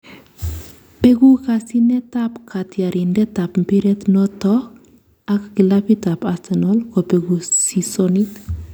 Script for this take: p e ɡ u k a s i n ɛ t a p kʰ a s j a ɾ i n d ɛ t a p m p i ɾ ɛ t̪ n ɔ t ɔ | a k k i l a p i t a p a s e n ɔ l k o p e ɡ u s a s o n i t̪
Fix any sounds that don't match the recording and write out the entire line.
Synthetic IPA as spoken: p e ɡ u k a s i n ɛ t a p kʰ a t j a ɾ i n d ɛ t a p m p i ɾ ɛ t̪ n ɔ t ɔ | a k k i l a p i t a p a s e n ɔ l k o p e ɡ u s i s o n i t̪